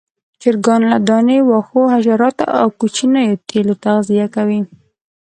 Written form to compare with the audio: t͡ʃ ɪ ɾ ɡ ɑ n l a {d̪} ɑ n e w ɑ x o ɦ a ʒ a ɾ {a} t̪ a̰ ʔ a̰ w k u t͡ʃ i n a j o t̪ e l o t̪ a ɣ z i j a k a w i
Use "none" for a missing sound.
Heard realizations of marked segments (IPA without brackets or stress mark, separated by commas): d̪, ɑ